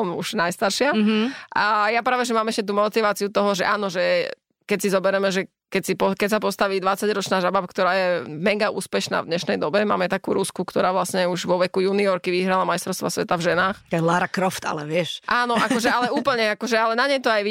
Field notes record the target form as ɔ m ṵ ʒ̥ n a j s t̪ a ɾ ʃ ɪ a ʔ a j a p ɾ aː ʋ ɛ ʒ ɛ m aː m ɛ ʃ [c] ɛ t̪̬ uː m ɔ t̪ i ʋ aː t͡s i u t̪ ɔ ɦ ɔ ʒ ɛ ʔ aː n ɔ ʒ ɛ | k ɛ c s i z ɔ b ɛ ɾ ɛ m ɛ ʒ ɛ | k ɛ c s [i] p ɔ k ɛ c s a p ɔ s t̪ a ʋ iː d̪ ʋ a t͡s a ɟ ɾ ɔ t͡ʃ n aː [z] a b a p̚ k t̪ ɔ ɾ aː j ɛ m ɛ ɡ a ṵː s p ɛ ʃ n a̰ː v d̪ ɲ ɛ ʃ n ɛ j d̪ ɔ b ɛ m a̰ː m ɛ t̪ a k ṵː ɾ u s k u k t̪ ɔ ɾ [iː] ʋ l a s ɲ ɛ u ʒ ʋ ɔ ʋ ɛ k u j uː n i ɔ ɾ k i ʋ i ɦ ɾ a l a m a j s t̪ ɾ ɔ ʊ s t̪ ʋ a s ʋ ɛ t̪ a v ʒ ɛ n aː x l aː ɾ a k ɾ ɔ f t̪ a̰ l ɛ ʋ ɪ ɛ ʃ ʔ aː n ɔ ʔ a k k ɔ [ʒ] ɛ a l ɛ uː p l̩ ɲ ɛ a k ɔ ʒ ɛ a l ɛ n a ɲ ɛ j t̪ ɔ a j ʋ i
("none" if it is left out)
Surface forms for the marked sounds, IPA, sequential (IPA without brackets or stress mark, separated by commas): c, i, ʒ, aː, ʒ